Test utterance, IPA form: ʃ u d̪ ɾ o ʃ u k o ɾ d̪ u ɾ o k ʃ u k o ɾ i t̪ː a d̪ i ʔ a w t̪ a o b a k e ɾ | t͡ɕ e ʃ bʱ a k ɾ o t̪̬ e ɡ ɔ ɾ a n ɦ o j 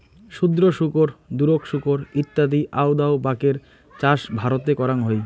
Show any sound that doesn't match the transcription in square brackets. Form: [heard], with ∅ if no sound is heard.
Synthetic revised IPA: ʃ u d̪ ɾ o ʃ u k o ɾ d̪ u ɾ o k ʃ u k o ɾ i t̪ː a d̪ i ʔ a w [d̪] a o b a k e ɾ | t͡ɕ [a] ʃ bʱ a [∅] ɾ o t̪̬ e [k] ɔ ɾ a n ɦ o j

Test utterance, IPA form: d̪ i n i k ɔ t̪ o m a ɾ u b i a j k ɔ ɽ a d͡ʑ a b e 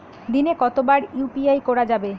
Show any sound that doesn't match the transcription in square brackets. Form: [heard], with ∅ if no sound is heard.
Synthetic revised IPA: d̪ i n [e] k ɔ t̪ o [b] a ɾ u [p] i a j k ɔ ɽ a d͡ʑ a b e

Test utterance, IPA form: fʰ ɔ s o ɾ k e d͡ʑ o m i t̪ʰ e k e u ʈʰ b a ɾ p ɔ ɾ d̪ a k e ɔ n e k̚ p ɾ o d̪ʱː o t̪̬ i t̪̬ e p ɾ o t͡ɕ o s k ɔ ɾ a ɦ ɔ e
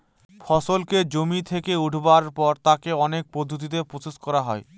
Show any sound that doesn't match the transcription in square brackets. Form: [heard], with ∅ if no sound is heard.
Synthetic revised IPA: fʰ ɔ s o [l] k e d͡ʑ o m i t̪ʰ e k e u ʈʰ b a ɾ p ɔ ɾ [t̪] a k e ɔ n e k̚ p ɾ o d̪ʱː o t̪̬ i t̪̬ e p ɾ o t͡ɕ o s k ɔ ɾ a ɦ ɔ e

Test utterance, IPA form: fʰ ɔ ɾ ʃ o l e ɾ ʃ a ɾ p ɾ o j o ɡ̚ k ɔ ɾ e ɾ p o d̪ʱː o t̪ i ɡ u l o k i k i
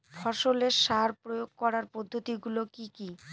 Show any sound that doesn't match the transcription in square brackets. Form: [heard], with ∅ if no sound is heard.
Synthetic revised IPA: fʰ ɔ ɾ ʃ o l e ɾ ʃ a ɾ p ɾ o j o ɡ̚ k ɔ ɾ [a] ɾ p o d̪ʱː o t̪ i ɡ u l o k i k i

